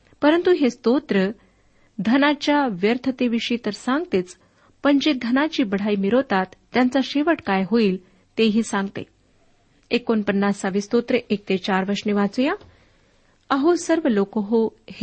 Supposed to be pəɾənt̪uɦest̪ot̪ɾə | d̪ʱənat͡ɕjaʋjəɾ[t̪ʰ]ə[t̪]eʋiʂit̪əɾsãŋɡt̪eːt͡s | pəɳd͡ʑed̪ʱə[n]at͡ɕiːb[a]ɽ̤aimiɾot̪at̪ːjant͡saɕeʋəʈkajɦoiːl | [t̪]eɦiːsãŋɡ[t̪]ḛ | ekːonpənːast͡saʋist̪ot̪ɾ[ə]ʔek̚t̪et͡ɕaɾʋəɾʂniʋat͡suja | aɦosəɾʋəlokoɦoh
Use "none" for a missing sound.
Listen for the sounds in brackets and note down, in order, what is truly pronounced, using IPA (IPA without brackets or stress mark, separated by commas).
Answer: t̪ʰ, t̪, n, ə, t̪, t̪, ə